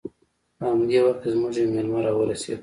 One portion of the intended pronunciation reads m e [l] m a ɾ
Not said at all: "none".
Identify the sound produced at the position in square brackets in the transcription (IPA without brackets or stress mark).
l